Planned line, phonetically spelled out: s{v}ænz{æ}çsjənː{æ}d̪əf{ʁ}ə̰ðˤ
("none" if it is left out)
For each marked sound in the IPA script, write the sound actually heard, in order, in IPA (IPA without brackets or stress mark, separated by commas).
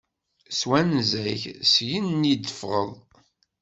w, æ, i, ʁ